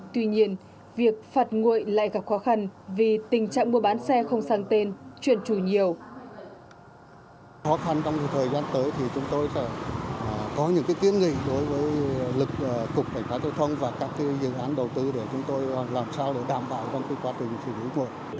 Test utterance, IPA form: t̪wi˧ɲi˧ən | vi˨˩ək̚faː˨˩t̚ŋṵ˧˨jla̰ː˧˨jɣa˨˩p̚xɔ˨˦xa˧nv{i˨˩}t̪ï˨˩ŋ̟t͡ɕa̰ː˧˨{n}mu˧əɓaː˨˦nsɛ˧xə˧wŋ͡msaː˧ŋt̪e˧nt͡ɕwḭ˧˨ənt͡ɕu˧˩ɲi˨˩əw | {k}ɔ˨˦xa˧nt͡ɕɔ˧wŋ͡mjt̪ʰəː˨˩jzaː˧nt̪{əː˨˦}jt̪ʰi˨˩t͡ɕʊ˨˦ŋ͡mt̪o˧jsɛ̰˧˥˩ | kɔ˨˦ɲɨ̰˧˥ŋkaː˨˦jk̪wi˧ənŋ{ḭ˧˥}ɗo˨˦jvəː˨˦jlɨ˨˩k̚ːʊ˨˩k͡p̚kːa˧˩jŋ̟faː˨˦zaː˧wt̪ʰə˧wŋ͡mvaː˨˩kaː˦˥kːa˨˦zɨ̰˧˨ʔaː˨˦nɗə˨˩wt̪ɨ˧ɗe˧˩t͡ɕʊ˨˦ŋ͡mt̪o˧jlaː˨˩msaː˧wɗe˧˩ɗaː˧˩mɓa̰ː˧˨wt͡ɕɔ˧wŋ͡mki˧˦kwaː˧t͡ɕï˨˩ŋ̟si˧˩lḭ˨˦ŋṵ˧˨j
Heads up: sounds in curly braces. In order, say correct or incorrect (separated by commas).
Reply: correct, incorrect, incorrect, correct, incorrect